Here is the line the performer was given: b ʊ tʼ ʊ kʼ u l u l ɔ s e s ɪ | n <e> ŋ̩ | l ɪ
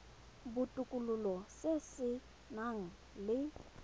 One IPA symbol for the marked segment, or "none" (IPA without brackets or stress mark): a